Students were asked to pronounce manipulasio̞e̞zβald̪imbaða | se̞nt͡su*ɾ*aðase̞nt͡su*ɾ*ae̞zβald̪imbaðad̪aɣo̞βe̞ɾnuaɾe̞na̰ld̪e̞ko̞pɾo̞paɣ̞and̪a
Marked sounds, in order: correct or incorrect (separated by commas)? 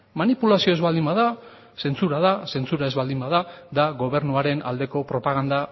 correct, correct